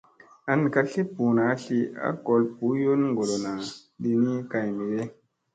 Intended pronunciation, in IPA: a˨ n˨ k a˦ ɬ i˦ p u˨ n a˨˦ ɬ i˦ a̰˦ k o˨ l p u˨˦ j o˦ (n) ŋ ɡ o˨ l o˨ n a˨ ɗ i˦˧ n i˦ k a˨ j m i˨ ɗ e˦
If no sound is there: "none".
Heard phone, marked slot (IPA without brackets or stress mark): n